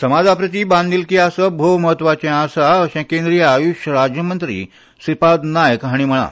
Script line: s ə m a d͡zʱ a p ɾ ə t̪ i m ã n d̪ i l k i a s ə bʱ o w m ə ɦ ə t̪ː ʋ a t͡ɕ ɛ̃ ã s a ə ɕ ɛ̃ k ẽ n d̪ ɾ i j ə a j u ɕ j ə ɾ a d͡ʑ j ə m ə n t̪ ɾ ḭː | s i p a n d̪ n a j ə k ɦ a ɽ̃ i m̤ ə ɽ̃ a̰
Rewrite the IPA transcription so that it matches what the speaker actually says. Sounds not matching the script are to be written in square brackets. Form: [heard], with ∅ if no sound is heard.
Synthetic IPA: s ə m a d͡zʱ a p ɾ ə t̪ i [b] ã n d̪ i l k i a s ə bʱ o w m ə ɦ ə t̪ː ʋ a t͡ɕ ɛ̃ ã s a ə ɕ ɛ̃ k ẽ n d̪ ɾ i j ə a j u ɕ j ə ɾ a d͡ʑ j ə m ə n t̪ ɾ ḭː | s i p a [∅] d̪ n a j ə k ɦ a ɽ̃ i m̤ ə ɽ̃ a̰